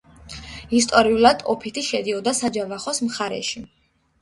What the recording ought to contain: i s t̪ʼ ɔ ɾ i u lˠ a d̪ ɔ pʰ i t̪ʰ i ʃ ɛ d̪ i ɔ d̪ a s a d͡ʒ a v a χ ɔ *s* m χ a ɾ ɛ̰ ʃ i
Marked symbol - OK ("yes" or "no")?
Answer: yes